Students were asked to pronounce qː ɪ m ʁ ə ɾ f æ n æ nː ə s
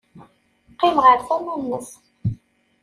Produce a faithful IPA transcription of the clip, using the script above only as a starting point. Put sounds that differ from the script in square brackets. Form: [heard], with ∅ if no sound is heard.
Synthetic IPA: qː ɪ m ʁ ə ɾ [θ] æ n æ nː ə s